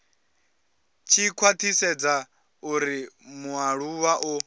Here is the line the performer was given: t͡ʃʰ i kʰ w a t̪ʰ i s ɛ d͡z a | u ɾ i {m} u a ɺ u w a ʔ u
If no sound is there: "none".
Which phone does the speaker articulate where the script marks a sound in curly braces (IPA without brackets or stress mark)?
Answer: m